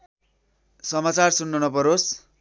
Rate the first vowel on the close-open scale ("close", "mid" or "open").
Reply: mid